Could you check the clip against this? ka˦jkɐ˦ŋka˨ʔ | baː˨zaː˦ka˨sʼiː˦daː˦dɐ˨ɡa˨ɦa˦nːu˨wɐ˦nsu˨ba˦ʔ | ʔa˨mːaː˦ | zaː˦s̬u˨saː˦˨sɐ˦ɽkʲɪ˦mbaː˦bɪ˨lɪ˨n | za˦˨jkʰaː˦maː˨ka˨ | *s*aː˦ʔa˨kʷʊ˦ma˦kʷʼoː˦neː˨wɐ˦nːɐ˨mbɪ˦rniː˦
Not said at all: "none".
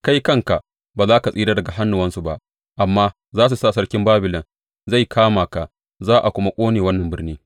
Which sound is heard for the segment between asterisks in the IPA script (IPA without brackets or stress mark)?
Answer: z